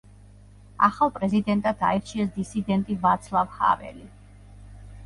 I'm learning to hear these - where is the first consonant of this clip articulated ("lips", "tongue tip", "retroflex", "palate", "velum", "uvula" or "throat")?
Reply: uvula